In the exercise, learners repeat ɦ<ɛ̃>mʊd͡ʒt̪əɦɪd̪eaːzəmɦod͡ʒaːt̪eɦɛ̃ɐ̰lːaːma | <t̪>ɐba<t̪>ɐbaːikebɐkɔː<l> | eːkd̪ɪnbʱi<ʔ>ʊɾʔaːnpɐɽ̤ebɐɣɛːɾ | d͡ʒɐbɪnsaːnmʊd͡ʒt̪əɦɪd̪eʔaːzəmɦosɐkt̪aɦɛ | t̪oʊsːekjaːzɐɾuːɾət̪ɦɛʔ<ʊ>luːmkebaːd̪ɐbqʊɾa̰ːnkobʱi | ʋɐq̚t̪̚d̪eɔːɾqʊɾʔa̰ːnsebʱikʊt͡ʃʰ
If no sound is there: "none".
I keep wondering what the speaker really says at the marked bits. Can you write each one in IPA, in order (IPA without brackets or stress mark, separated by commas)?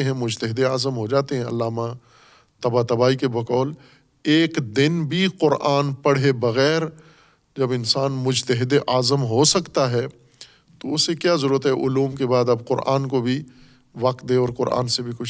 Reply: ɛ̃, t̪, t̪, l, q, ʊ